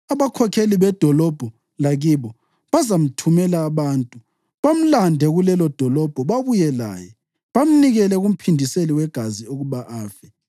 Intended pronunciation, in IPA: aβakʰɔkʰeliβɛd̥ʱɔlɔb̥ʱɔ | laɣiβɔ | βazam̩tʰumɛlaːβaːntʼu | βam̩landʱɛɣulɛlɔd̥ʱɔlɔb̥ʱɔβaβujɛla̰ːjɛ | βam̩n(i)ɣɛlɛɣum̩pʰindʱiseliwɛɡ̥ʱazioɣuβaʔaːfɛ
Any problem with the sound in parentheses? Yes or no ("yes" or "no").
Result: no